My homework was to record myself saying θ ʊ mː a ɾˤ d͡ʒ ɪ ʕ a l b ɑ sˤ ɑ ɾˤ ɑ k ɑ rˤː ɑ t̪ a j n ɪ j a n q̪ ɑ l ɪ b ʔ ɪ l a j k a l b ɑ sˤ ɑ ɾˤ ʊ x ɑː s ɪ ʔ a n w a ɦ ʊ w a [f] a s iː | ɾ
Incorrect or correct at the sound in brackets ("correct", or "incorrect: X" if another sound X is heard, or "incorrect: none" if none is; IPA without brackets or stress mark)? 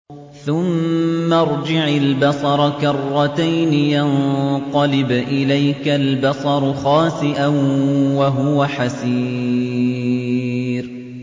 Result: incorrect: ħ